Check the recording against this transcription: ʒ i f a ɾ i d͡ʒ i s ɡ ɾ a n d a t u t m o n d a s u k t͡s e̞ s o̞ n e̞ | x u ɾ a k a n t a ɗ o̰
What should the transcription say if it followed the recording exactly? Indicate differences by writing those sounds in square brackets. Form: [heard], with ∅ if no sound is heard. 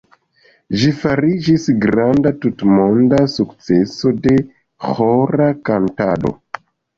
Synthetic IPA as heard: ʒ i f a ɾ i d͡ʒ i s ɡ ɾ a n d a t u t m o n d a s u k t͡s e̞ s o̞ [d] e̞ | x [o] ɾ a k a n t a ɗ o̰